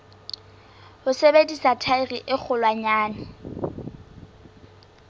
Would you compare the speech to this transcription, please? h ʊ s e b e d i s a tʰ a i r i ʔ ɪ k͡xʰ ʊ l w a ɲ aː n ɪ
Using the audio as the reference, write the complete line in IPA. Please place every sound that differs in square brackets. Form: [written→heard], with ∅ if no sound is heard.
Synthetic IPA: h ʊ s e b e d i s a tʰ a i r i ʔ ɪ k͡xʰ ʊ l w a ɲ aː n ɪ